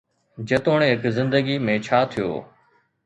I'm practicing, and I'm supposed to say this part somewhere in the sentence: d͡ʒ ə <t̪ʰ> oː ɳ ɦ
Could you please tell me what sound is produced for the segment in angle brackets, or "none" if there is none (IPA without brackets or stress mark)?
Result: t̪